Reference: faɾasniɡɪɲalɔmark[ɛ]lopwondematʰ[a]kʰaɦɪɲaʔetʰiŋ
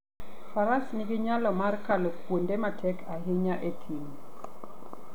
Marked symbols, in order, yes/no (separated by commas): no, no